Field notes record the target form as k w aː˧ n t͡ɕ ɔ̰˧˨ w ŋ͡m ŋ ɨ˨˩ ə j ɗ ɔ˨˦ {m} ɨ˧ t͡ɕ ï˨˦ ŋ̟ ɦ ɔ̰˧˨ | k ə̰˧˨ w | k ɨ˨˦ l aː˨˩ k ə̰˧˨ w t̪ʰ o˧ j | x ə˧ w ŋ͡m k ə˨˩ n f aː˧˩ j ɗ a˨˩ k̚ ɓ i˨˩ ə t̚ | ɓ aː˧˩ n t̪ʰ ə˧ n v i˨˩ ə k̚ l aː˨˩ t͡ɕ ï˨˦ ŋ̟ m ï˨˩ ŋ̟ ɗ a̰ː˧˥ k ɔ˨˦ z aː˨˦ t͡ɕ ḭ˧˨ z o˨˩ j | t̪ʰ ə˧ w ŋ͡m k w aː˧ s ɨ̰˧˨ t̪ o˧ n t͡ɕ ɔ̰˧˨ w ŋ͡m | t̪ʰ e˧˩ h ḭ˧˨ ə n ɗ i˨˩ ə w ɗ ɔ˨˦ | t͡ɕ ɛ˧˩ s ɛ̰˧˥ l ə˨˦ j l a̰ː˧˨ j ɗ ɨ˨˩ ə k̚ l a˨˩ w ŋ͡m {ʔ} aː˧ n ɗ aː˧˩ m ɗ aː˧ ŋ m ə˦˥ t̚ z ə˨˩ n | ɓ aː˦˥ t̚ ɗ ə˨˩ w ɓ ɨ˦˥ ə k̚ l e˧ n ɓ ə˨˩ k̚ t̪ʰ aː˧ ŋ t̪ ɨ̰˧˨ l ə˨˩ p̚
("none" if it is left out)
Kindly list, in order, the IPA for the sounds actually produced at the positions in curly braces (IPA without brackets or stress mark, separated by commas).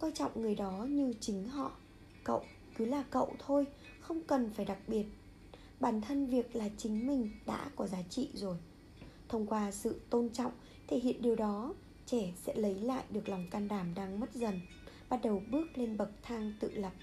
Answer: ɲ, k